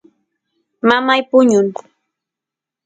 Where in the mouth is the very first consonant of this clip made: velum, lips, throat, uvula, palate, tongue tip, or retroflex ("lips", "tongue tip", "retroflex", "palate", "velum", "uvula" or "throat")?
lips